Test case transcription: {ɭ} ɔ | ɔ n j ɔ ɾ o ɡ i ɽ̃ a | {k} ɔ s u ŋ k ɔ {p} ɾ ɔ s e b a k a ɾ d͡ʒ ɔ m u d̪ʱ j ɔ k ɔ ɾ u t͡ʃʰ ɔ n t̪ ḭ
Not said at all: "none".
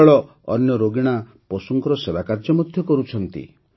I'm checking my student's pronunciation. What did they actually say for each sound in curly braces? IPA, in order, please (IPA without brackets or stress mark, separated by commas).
ɭ, p, none